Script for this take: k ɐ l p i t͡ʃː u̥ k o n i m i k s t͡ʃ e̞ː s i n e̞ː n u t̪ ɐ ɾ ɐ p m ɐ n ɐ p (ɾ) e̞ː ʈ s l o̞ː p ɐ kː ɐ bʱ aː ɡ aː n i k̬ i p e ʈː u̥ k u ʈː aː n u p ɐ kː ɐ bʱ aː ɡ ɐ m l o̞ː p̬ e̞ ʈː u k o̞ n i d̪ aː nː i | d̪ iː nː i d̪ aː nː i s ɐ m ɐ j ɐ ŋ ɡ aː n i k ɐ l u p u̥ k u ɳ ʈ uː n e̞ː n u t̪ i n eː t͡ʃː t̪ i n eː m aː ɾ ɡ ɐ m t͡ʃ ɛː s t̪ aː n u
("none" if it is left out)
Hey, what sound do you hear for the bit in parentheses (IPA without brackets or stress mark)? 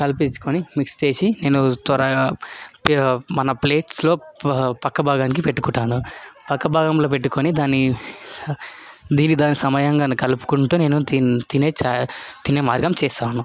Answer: l